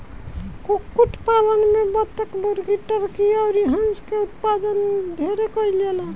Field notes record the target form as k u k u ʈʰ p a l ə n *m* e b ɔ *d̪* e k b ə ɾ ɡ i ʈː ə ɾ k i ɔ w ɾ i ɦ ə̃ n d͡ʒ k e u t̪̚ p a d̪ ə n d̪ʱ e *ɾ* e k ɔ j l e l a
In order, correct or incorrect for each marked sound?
correct, incorrect: t̪, correct

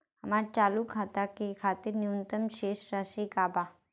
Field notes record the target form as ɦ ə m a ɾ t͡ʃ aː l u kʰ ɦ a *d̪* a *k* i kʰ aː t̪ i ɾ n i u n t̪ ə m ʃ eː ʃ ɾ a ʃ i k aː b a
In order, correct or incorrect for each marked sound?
incorrect: t̪, correct

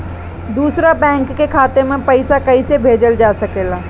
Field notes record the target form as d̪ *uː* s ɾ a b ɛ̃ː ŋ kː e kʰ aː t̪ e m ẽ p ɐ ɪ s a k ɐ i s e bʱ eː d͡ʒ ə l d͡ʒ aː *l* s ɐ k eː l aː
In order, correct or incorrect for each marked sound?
correct, incorrect: none

